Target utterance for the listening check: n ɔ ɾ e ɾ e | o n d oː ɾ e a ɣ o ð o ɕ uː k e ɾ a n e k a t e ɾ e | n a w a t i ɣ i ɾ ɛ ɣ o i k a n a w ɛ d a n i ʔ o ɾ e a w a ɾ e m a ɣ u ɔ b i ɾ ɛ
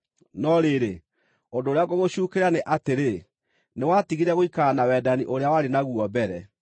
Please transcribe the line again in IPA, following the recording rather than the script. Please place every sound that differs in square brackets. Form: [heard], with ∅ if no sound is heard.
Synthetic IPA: n ɔ ɾ e ɾ e | o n d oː ɾ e a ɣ o [ɣ] o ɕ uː k e ɾ a n e [ʔ] a t e ɾ e | n [e] w a t i ɣ i ɾ ɛ ɣ o i k a n a w ɛ d a n i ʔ o ɾ e a w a ɾ e [n] a ɣ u ɔ b [ɛ] ɾ ɛ

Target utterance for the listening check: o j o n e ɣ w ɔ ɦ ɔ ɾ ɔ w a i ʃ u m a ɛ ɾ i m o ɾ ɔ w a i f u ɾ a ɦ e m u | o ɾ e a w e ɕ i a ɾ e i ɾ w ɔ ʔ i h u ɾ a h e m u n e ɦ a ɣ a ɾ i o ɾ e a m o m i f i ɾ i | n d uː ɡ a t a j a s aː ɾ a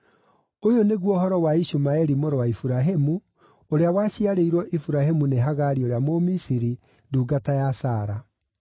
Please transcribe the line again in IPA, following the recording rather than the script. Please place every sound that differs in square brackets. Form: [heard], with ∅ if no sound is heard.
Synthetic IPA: o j o n e ɣ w ɔ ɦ ɔ ɾ ɔ w a i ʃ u m a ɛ ɾ i m o ɾ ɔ w a i f u ɾ a ɦ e m u | o ɾ e a w [a] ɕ i a ɾ e i ɾ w ɔ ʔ i [f] u ɾ a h e m u n e ɦ a ɣ a ɾ i o ɾ e a m o m i [s] i ɾ i | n d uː ɡ a t a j a s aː ɾ a

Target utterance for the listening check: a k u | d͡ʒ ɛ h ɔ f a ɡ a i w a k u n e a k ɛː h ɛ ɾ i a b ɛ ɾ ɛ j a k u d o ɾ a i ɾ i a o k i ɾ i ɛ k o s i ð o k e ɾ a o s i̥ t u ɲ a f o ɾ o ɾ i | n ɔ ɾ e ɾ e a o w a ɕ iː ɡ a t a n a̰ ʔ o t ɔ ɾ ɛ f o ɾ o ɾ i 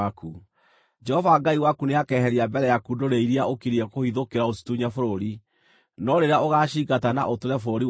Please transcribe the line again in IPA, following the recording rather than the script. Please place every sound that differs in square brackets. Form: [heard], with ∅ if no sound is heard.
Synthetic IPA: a k u | d͡ʒ ɛ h ɔ [v] a ɡ a i w a k u n e a k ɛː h ɛ ɾ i a b ɛ ɾ ɛ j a k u d o ɾ [e] i ɾ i a o k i ɾ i ɛ k o [h] i ð o k e ɾ a o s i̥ t u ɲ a f o ɾ o ɾ i | n ɔ ɾ e ɾ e a o [ɣ] a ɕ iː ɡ a t a n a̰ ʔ o t [o] ɾ ɛ f o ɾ o ɾ i

